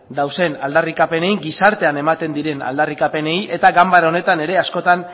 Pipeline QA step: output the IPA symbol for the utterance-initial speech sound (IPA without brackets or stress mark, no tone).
d̪